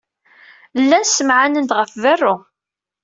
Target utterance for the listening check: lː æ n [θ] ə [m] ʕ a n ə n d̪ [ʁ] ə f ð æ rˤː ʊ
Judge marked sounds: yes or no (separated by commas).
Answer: no, yes, yes